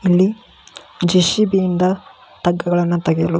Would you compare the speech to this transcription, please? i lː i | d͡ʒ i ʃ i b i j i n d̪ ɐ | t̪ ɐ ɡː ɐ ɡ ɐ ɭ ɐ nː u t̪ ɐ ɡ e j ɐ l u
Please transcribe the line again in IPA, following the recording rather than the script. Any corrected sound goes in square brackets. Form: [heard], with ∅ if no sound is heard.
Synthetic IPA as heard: i lː i | d͡ʒ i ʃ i b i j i n d̪ ɐ | t̪ ɐ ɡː ɐ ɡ ɐ ɭ ɐ nː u t̪ ɐ ɡ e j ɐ l u